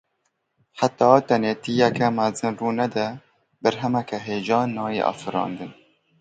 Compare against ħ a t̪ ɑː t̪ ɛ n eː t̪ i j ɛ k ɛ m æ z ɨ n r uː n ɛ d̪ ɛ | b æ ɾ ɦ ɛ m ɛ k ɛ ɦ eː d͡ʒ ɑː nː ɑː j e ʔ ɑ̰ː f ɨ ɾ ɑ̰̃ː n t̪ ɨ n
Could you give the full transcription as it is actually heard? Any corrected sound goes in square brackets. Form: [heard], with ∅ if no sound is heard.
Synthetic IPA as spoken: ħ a t̪ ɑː t̪ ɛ n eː t̪ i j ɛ k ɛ m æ z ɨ n r uː n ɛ d̪ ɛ | b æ ɾ ɦ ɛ m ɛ k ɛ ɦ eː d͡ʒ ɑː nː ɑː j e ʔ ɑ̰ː f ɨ ɾ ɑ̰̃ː n [d̪] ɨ n